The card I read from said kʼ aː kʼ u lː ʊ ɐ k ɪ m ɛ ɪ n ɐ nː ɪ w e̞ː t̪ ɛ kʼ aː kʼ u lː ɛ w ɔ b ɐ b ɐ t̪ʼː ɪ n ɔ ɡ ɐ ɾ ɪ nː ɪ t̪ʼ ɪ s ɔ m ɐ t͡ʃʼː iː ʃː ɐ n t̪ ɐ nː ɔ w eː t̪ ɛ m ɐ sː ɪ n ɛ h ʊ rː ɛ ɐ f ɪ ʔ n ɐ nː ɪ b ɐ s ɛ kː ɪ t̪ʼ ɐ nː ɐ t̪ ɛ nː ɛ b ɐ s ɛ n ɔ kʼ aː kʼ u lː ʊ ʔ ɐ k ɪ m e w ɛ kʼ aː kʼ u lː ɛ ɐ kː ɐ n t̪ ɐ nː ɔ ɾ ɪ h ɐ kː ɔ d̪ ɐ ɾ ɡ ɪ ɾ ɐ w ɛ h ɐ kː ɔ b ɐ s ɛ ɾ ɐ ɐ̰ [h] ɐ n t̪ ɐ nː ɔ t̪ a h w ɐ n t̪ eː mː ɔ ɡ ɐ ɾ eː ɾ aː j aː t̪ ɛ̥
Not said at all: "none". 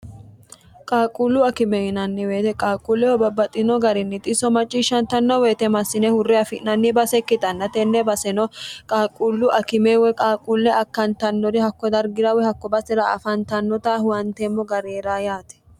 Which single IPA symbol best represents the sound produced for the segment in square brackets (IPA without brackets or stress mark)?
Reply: f